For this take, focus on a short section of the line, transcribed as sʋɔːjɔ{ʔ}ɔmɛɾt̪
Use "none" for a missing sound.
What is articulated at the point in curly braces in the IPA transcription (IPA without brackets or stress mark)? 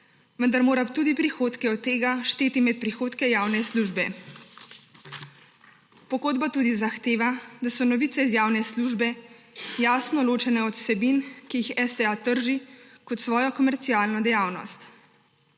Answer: k